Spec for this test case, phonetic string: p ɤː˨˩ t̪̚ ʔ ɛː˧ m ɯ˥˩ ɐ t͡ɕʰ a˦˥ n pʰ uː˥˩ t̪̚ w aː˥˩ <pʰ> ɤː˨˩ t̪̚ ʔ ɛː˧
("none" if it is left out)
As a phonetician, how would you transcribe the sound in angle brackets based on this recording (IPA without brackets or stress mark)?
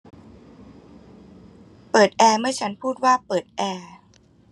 p